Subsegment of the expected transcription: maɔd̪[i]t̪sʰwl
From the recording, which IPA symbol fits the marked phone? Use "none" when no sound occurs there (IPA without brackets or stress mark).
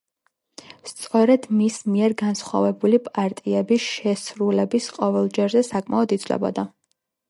i